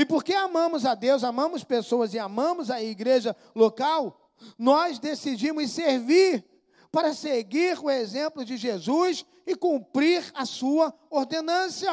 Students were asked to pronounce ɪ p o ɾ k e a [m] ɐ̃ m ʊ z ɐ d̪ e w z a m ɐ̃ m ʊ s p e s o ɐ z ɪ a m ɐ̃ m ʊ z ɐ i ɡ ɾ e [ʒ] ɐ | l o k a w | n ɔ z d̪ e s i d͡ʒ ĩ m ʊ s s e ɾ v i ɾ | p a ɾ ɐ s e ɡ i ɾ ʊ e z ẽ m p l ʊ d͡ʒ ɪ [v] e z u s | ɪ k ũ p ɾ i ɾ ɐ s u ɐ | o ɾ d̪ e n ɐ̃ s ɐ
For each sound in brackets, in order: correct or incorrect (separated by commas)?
correct, correct, incorrect